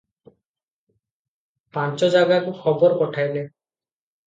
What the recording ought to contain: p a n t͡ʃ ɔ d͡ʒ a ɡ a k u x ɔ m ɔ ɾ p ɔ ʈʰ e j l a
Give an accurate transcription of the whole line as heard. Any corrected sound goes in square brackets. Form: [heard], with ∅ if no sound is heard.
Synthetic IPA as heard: p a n t͡ʃ ɔ d͡ʒ a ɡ a k u x ɔ [b] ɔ ɾ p ɔ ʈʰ [a] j l [e]

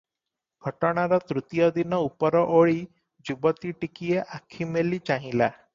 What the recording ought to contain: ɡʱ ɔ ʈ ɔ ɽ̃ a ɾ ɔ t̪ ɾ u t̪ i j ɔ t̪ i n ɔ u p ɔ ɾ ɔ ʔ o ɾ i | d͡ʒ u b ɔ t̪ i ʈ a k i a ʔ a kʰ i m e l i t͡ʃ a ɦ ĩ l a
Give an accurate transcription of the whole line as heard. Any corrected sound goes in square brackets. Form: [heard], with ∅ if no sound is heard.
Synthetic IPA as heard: ɡʱ ɔ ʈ ɔ ɽ̃ a ɾ ɔ t̪ ɾ u t̪ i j ɔ [d̪] i n ɔ u p ɔ ɾ ɔ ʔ o [ɭ] i | d͡ʒ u b ɔ t̪ i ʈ [i] k i [e] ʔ a kʰ i m e l i t͡ʃ a ɦ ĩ l a

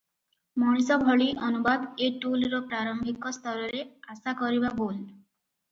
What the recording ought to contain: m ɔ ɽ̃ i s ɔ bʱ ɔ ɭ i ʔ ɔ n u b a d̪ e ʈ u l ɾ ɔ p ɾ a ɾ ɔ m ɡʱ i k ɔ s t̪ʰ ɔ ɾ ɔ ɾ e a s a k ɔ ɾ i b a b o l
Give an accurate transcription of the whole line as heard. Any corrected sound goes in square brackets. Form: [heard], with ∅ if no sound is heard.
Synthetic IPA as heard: m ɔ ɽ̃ i s ɔ bʱ ɔ ɭ i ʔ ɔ n u b a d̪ e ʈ u l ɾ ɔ p ɾ a ɾ ɔ m [bʱ] i k ɔ s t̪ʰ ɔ ɾ ɔ ɾ e a s a k ɔ ɾ i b a b o l

